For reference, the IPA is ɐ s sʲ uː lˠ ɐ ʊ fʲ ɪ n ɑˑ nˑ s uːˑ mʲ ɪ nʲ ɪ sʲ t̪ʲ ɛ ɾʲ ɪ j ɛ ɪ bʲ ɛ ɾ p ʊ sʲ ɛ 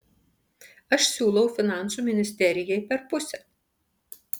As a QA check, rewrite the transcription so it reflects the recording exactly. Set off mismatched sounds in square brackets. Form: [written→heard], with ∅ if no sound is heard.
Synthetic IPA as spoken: ɐ [s→ʃ] sʲ uː lˠ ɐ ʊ fʲ ɪ n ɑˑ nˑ s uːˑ mʲ ɪ nʲ ɪ sʲ t̪ʲ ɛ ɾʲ ɪ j ɛ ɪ [bʲ→pʲ] ɛ ɾ p ʊ sʲ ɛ